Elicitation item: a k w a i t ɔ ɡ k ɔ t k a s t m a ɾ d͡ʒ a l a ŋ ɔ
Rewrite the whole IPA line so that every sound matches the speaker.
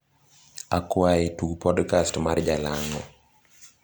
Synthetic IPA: a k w a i t u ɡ p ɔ d k a s t m a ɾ d͡ʒ a l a ŋ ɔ